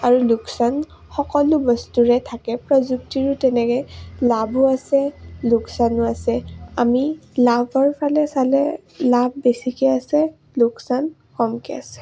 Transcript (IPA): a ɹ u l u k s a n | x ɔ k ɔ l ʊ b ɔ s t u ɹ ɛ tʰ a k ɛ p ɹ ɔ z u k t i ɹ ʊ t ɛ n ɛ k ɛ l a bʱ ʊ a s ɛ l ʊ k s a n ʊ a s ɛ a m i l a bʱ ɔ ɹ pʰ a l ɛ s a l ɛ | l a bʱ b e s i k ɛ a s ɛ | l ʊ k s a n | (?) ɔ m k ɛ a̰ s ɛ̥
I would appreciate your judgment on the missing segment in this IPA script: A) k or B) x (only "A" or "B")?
A